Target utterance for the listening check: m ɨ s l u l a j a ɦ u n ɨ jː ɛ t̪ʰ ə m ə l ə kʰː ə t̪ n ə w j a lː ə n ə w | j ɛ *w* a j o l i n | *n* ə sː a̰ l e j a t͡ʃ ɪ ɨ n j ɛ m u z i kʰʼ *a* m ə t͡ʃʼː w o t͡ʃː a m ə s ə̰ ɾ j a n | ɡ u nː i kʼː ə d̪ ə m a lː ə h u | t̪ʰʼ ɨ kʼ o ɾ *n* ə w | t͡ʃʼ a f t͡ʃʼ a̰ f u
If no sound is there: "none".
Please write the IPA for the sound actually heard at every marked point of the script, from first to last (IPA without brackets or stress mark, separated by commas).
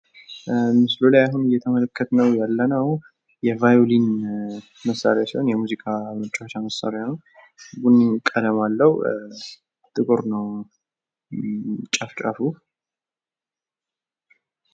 v, m, a, n